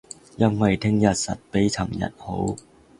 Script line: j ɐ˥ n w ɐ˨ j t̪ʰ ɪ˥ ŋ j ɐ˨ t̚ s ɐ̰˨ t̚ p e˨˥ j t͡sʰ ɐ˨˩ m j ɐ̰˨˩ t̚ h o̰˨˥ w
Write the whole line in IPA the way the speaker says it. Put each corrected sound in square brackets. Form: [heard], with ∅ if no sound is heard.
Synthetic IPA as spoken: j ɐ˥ n w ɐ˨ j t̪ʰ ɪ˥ ŋ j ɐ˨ t̚ s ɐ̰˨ t̚ p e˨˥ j t͡sʰ ɐ˨˩ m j ɐ̰˨˩ t̚ h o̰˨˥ w